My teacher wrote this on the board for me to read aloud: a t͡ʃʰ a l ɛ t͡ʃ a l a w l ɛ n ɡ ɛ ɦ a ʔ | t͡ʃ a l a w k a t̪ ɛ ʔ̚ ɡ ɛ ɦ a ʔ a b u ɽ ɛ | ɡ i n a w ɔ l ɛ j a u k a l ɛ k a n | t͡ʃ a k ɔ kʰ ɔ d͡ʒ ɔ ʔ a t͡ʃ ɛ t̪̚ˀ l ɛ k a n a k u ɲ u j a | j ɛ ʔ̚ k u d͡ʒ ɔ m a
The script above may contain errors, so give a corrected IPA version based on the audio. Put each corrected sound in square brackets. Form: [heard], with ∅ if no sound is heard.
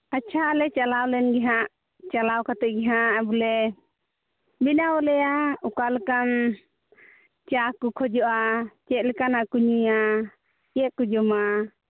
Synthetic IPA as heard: a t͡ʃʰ a l ɛ t͡ʃ a l a w l ɛ n ɡ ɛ ɦ a ʔ | t͡ʃ a l a w k a t̪ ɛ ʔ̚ ɡ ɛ ɦ a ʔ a b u [l] ɛ | [b] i n a w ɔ l ɛ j a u k a l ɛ k a n | t͡ʃ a k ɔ kʰ ɔ d͡ʒ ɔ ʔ a t͡ʃ ɛ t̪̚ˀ l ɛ k a n a k u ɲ u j a | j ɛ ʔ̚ k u d͡ʒ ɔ m a

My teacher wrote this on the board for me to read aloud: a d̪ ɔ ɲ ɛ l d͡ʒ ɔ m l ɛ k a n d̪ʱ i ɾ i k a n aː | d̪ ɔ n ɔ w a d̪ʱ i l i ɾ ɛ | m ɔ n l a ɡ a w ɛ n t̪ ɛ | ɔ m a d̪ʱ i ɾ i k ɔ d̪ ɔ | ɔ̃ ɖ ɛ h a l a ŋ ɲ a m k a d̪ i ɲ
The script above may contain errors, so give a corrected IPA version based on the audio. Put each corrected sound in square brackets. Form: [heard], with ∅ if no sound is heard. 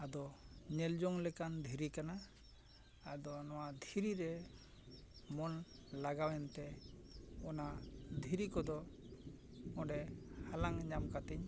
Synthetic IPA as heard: a d̪ ɔ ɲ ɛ l d͡ʒ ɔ [ŋ] l ɛ k a n d̪ʱ i ɾ i k a n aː | d̪ ɔ n ɔ w a d̪ʱ i [ɾ] i ɾ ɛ | m ɔ n l a ɡ a w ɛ n t̪ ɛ | ɔ [n] a d̪ʱ i ɾ i k ɔ d̪ ɔ | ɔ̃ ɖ ɛ h a l a ŋ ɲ a m k a [t̪] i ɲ

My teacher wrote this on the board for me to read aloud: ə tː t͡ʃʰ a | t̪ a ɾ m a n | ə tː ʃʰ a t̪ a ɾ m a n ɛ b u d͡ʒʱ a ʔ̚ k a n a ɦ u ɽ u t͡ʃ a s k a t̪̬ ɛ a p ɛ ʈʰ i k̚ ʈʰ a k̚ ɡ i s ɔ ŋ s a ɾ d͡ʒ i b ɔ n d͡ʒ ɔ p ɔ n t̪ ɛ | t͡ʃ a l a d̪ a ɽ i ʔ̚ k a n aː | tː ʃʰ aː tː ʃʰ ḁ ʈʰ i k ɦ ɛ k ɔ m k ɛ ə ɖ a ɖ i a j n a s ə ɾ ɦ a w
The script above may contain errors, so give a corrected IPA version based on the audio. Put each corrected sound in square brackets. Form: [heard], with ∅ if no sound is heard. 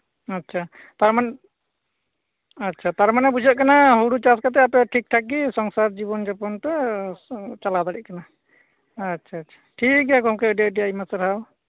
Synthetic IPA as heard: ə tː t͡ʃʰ a | t̪ a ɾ m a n | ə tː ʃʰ a t̪ a ɾ m a n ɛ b u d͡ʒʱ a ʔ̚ k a n a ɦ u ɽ u t͡ʃ a s k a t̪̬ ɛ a p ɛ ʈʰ i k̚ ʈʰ a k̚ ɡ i s ɔ ŋ s a ɾ d͡ʒ i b ɔ n d͡ʒ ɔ p ɔ n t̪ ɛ | t͡ʃ a l a d̪ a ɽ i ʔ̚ k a n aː | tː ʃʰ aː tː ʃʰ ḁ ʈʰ i k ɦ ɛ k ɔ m k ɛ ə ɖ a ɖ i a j [m] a s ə ɾ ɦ a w

